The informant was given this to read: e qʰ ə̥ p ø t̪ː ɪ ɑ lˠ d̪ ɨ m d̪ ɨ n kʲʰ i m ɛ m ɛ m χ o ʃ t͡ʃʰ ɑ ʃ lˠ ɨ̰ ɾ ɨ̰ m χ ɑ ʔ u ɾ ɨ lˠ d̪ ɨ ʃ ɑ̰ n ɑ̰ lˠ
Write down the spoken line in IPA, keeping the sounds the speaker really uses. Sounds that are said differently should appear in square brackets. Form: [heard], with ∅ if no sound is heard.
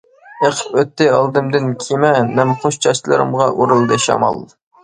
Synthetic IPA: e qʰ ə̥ p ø t̪ː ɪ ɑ lˠ d̪ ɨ m d̪ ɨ n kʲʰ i m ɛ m ɛ m χ o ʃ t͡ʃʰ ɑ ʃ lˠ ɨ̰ ɾ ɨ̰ m [ʁ] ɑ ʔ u ɾ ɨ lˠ d̪ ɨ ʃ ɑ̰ [m] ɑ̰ lˠ

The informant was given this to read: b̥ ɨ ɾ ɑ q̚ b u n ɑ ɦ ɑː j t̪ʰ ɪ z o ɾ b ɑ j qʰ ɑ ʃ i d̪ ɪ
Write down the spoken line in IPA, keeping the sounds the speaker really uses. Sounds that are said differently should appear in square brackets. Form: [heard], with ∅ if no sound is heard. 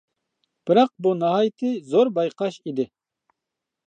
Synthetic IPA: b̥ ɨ ɾ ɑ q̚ b u n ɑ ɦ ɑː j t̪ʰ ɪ z o ɾ b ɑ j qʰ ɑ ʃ i d̪ ɪ

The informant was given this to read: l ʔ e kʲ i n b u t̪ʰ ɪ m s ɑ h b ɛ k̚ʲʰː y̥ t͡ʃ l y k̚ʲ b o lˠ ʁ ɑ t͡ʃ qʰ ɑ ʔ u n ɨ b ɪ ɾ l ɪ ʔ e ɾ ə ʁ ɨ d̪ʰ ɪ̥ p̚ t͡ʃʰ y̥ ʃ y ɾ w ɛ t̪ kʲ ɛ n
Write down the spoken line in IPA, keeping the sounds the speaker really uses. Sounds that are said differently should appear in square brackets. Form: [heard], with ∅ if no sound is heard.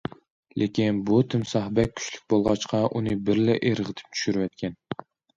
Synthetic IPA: l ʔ e kʲ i n b u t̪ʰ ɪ m s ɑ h b ɛ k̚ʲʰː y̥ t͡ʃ l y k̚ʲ b o lˠ ʁ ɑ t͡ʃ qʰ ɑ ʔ u n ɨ b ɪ ɾ l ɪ ʔ e ɾ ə ʁ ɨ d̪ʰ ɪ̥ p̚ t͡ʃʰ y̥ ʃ y ɾ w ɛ t̪ kʲ ɛ n

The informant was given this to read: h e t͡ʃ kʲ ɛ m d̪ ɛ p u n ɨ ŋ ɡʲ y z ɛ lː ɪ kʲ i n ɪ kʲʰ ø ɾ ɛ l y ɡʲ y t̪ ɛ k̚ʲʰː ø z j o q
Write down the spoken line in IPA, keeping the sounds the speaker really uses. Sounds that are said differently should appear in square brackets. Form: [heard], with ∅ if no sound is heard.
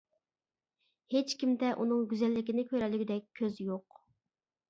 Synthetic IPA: h e t͡ʃ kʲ [i] m d̪ ɛ [ʔ] u n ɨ ŋ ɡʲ y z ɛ lː ɪ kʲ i n ɪ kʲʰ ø ɾ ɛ l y ɡʲ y [d̪] ɛ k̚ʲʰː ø z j o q

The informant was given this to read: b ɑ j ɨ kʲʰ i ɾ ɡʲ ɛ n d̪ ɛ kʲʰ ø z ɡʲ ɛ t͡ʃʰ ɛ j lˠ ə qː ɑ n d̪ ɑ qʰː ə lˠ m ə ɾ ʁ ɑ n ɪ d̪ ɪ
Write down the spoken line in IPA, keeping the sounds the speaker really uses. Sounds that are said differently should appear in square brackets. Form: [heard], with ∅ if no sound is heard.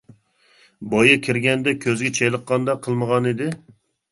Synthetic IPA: b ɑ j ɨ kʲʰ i ɾ ɡʲ ɛ n d̪ ɛ kʲʰ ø z ɡʲ ɛ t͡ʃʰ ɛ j lˠ ə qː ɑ n d̪ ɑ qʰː ə lˠ m ə [∅] ʁ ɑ n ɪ d̪ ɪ

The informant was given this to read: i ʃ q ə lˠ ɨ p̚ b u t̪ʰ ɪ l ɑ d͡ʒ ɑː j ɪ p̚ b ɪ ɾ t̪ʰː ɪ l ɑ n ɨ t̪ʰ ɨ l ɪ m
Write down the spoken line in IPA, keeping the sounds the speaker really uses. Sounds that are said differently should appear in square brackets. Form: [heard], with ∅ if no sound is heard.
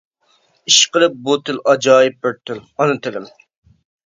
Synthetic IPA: i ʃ q ə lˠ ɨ p̚ b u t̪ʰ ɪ l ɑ d͡ʒ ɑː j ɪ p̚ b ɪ ɾ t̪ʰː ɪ l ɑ n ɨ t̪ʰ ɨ l ɪ m

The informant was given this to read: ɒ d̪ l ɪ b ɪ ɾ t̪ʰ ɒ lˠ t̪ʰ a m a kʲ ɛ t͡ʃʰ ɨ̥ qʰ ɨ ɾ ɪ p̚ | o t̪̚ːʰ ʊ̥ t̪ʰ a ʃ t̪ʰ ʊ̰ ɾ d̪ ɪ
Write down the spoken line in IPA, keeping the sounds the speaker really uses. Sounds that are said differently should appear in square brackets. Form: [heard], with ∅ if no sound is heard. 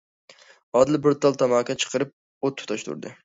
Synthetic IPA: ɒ d̪ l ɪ b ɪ ɾ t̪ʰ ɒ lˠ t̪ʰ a m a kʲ [a] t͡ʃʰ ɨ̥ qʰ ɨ ɾ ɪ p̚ | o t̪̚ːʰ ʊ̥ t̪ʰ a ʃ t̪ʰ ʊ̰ ɾ d̪ ɪ

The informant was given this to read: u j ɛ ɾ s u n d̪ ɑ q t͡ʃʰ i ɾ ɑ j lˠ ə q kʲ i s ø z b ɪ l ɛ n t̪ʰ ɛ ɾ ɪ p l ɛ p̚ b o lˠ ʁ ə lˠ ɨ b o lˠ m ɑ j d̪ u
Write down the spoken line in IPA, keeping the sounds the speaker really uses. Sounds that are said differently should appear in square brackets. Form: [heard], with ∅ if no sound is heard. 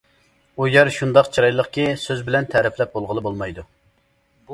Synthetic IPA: u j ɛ ɾ [ʃ] u n d̪ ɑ q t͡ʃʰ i ɾ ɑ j lˠ ə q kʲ i s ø z b ɪ l ɛ n t̪ʰ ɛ ɾ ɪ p l ɛ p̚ b o lˠ ʁ ə lˠ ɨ b o lˠ m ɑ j d̪ u

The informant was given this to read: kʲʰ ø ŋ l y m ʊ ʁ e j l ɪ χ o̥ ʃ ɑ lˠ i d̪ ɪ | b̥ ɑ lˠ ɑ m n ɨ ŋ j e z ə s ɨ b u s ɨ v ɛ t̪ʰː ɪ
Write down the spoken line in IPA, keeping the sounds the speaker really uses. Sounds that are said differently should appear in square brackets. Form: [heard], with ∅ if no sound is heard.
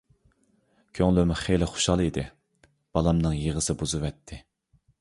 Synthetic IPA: kʲʰ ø ŋ l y m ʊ [χ] e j l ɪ χ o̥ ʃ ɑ lˠ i d̪ ɪ | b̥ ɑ lˠ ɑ m n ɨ ŋ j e [ʁ] ə s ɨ b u [z] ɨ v ɛ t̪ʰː ɪ

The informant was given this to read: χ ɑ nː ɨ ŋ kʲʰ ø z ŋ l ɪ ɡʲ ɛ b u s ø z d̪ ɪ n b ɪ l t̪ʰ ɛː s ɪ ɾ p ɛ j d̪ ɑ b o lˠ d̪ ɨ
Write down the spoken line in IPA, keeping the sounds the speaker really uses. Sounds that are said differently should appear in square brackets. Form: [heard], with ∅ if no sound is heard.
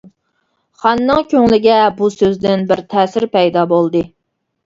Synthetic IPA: χ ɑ nː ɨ ŋ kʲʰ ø [∅] ŋ l ɪ ɡʲ ɛ b u s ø z d̪ ɪ n b ɪ [ɾ] t̪ʰ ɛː s ɪ ɾ p ɛ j d̪ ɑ b o lˠ d̪ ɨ

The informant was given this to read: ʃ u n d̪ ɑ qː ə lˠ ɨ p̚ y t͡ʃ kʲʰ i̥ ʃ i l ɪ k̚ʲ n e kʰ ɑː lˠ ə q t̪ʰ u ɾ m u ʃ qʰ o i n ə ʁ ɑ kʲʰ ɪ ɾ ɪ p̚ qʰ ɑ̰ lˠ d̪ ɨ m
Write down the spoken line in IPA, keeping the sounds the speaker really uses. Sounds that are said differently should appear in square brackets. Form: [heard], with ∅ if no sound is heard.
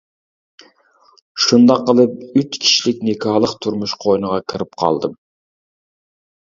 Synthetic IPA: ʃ u n d̪ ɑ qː ə lˠ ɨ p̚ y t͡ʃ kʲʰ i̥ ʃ i l ɪ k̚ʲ n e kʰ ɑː lˠ ə q t̪ʰ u ɾ m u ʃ qʰ o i n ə ʁ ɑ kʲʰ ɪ ɾ ɪ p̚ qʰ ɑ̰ lˠ d̪ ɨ m

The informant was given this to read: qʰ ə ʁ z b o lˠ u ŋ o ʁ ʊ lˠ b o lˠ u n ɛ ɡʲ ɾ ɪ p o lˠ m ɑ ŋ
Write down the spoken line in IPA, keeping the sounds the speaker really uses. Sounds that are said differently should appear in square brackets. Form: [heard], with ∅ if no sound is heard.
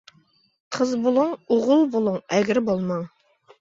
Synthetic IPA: qʰ ə [∅] z b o lˠ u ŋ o ʁ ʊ lˠ b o lˠ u [ŋ] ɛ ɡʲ ɾ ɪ [b] o lˠ m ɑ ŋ

